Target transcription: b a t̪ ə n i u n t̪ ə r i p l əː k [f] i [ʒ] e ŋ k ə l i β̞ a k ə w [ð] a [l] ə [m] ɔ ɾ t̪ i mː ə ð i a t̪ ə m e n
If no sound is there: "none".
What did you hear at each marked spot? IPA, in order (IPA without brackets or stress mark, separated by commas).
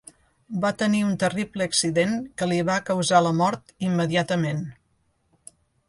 s, ð, z, l, m